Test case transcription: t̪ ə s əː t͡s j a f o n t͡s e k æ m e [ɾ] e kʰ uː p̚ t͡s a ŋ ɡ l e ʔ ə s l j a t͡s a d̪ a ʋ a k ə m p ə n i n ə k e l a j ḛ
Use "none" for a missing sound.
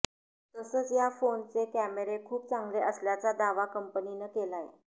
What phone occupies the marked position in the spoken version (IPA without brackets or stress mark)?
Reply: ɾ